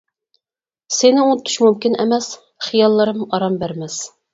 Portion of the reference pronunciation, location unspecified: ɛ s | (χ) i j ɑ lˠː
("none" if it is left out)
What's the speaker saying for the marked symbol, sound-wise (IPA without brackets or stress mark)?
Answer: χ